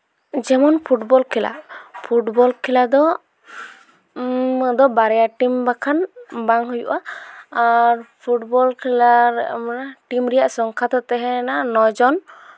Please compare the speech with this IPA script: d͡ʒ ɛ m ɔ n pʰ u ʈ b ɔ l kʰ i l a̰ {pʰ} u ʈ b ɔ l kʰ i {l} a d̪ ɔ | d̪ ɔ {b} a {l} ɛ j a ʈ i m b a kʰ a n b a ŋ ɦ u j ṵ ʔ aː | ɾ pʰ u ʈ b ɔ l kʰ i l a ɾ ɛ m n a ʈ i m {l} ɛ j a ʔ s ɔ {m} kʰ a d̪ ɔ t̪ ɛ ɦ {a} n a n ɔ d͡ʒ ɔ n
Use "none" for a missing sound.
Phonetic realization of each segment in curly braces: pʰ, l, b, ɾ, ɾ, ŋ, ɛ

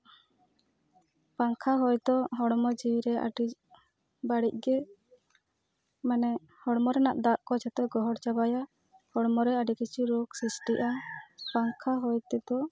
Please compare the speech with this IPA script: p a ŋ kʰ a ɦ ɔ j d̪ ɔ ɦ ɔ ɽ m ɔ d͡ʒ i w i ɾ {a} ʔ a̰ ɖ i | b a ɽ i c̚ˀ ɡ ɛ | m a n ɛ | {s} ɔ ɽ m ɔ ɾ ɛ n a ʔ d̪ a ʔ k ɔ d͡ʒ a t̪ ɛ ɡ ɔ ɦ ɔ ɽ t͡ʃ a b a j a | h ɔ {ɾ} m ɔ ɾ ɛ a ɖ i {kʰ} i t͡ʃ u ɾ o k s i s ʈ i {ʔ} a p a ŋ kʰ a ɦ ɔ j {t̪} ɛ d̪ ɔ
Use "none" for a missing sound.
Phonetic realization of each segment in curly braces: ɛ, h, ɽ, k, ʔ, t̪

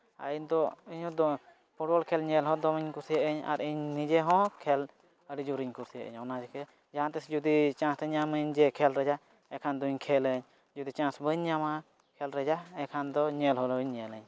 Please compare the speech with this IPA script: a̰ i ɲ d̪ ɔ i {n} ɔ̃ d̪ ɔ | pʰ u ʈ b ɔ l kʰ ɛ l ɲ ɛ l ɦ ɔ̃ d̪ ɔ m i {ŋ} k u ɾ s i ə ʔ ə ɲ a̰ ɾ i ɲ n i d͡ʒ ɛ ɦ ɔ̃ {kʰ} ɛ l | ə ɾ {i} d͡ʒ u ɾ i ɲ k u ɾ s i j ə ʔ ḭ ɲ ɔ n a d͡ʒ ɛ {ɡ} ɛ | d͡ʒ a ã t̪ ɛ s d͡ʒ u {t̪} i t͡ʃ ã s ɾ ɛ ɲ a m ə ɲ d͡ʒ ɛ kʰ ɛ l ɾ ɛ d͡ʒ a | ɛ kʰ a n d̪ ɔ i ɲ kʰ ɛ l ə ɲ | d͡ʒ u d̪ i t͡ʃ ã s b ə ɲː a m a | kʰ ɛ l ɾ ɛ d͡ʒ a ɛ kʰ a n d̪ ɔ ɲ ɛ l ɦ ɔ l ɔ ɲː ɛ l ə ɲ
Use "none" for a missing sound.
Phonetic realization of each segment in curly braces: ɲ, ɲ, kʰ, i, k, d̪

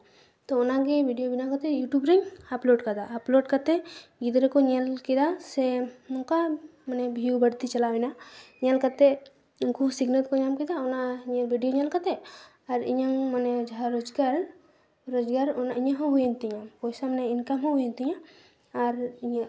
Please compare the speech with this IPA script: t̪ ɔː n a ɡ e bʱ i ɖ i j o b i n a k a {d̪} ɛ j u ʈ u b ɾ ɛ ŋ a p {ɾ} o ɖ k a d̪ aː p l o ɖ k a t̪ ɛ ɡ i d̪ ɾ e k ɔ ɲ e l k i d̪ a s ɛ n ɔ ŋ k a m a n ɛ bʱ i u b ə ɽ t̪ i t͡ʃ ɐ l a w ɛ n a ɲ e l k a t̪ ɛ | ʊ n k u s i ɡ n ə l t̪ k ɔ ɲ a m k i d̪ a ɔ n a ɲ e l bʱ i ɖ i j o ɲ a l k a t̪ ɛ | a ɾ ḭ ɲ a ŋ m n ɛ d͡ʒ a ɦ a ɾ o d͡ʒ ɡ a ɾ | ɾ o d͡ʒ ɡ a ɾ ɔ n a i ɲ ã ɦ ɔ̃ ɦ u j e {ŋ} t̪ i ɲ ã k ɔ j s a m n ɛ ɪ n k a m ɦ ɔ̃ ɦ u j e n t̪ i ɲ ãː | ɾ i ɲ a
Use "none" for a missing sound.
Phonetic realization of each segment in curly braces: t̪, l, n

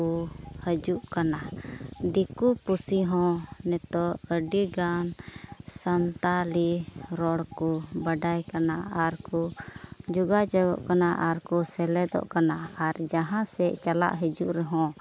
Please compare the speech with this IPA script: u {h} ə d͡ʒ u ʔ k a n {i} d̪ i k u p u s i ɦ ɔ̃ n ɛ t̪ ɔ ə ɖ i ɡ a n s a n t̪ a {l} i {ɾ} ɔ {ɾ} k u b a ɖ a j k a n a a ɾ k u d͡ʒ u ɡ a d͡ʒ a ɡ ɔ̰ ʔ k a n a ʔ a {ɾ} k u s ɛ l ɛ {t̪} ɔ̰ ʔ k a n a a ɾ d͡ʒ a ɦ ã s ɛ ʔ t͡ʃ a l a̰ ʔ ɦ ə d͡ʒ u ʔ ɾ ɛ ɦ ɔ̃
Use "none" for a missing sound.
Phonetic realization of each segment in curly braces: h, a, l, ɾ, ɽ, ɾ, d̪

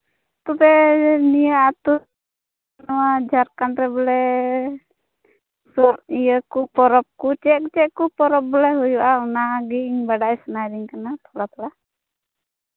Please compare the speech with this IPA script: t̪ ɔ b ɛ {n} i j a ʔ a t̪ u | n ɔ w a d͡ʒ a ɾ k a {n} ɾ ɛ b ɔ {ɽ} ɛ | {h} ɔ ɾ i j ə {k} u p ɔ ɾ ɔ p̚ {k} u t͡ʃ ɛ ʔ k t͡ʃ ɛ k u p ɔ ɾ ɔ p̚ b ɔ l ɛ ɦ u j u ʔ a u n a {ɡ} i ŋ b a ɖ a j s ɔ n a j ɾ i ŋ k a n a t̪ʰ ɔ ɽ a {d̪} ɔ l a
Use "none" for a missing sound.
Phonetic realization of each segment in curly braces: n, n, l, s, k, k, ɡ, t̪

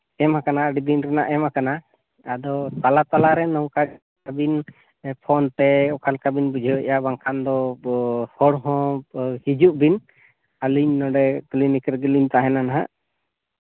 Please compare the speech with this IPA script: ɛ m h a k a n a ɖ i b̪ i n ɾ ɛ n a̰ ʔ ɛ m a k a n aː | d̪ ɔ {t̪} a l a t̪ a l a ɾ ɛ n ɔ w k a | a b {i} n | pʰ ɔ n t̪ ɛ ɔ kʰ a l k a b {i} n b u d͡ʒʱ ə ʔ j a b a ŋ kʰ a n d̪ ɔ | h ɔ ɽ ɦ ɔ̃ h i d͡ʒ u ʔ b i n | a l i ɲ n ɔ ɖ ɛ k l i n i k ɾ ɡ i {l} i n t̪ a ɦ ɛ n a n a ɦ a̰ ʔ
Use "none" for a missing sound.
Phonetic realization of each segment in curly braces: t̪, i, i, l

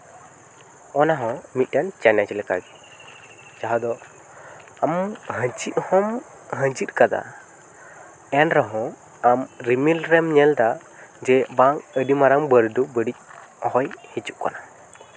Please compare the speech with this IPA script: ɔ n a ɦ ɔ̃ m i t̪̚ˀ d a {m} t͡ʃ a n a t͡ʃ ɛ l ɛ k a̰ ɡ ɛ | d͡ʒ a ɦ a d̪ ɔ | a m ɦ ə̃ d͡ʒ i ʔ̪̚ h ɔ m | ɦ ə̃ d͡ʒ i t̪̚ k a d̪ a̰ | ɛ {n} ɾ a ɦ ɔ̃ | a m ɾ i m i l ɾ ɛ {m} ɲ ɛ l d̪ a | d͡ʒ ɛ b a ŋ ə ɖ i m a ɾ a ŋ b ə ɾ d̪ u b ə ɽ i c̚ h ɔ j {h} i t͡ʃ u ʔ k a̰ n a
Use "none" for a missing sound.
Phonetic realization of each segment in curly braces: n, n, m, h

